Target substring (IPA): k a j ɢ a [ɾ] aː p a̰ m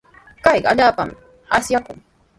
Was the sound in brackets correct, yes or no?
no